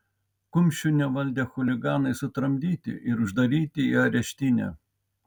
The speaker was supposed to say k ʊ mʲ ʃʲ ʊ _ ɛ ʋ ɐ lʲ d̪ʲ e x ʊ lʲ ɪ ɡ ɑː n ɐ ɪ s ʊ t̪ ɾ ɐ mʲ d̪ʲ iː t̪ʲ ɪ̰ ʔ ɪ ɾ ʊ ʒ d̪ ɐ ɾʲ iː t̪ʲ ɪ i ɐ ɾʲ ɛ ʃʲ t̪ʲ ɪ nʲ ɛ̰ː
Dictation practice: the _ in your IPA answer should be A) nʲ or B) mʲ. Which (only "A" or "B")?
A